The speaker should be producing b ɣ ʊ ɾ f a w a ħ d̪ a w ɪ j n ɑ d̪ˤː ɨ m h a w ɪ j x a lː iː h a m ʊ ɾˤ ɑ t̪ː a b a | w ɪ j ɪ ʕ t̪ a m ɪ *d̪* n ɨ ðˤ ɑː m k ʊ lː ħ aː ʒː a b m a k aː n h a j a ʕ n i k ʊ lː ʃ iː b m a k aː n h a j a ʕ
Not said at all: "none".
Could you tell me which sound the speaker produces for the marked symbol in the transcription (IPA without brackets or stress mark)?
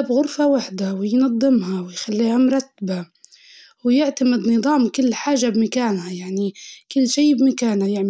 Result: d̪